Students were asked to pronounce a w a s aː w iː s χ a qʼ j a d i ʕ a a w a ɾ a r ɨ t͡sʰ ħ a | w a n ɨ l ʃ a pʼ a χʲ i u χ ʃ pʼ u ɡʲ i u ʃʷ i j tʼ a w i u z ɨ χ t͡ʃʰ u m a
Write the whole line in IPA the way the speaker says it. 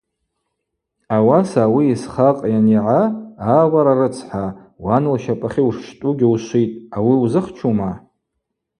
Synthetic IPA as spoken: a w a s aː w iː s χ a qʼ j a n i ʕ a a w a ɾ a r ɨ t͡sʰ ħ a | w a n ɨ l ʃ a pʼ a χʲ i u ʂ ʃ tʼ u ɡʲ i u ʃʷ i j tʼ a w i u z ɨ χ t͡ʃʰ u m a